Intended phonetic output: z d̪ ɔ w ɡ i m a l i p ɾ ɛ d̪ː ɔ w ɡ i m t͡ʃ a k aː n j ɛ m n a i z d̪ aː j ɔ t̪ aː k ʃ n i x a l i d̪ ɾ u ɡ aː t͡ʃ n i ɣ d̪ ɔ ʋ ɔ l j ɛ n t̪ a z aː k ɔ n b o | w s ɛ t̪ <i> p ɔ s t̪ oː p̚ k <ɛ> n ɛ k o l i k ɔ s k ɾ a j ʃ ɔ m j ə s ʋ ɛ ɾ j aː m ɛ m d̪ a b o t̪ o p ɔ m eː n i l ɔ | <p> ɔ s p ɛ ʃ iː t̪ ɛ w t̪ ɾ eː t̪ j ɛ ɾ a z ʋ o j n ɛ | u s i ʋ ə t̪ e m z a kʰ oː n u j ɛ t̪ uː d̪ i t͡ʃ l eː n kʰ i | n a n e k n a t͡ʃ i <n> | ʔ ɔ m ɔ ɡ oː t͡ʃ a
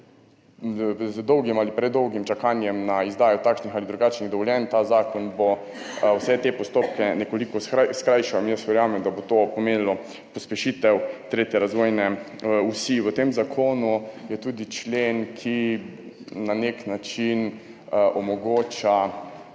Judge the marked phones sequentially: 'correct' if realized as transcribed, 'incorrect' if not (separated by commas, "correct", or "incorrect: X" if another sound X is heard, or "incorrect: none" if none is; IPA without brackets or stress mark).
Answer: incorrect: e, correct, correct, correct